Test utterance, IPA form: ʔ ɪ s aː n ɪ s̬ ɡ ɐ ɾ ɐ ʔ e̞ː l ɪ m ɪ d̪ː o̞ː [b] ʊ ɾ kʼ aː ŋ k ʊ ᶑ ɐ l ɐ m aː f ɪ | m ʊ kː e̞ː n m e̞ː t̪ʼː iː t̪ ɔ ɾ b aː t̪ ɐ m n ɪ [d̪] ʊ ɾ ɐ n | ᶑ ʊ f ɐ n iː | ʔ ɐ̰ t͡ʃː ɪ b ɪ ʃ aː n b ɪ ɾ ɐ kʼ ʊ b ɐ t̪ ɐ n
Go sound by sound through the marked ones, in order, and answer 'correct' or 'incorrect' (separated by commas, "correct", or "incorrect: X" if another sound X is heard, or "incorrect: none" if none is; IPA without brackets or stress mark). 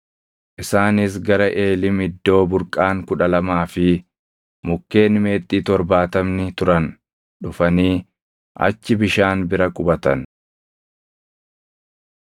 correct, incorrect: t̪